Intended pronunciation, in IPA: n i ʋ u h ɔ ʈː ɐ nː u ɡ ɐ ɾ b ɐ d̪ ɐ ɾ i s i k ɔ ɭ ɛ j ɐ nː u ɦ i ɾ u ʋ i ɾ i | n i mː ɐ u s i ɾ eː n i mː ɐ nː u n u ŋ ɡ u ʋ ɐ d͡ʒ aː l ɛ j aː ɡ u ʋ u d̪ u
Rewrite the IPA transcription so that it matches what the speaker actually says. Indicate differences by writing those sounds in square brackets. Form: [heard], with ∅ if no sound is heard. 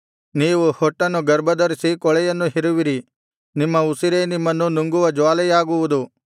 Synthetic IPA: n [iː] ʋ u h ɔ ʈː ɐ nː u ɡ ɐ ɾ b ɐ d̪ ɐ ɾ i s i k ɔ ɭ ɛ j ɐ nː u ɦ i ɾ u ʋ i ɾ i | n i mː ɐ u s i ɾ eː n i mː ɐ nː u n u ŋ ɡ u ʋ ɐ d͡ʒ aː l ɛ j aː ɡ u ʋ u d̪ u